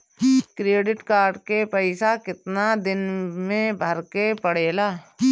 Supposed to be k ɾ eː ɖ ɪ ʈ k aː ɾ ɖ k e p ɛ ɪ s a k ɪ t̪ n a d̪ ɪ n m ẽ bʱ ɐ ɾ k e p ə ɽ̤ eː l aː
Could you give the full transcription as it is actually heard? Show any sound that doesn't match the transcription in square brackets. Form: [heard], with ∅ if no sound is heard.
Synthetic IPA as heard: k ɾ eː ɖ ɪ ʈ k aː ɾ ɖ k e p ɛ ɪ s a k ɪ t̪ n a d̪ ɪ n m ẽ bʱ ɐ ɾ k e p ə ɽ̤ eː l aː